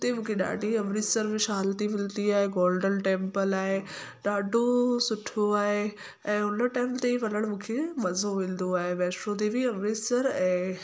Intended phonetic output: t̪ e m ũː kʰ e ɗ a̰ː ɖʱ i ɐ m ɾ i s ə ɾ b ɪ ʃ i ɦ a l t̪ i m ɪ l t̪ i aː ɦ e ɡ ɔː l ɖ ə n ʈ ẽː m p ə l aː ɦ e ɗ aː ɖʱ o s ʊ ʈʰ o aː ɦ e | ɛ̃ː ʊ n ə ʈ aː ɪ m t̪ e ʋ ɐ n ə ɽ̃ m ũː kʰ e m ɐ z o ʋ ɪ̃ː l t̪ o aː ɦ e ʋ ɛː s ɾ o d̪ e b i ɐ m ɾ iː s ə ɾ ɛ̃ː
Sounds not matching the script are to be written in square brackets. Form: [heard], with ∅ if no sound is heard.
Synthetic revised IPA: t̪ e m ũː kʰ e ɗ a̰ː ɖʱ i ɐ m ɾ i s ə ɾ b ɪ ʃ [a] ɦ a l t̪ i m ɪ l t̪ i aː ɦ e ɡ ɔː l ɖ ə n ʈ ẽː m p ə l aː ɦ e ɗ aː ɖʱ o s ʊ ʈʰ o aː ɦ e | ɛ̃ː ʊ n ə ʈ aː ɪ m t̪ e ʋ ɐ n ə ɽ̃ m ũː kʰ e m ɐ z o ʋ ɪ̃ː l [d̪] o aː ɦ e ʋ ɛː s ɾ o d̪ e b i ɐ m ɾ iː s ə ɾ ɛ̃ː